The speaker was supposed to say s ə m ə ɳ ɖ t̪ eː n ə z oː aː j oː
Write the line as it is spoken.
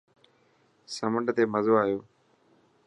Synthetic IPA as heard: s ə m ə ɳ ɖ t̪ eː m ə z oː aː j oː